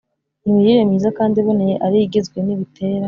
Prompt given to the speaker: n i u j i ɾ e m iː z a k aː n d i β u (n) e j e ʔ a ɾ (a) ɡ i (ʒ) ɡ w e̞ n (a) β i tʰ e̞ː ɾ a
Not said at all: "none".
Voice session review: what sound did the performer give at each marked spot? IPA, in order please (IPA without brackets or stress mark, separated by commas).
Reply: n, i, z, i